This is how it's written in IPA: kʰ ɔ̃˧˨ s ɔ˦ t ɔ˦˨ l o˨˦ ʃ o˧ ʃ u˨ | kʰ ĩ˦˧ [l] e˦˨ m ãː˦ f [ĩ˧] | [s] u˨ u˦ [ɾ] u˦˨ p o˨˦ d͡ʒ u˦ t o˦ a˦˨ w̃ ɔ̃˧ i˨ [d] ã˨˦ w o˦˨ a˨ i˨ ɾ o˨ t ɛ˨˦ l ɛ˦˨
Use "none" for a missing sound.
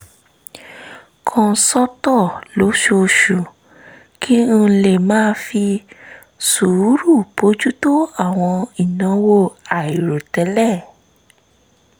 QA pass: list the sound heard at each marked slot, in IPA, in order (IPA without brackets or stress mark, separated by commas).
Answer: l, i˧, s, ɾ, n